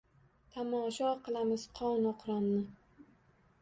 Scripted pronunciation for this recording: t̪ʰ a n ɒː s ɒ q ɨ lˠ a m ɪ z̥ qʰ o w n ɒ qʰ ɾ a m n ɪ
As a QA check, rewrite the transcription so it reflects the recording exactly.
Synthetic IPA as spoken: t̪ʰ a m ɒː ʃ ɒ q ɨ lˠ a m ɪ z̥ qʰ ɒ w n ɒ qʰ ɾ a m n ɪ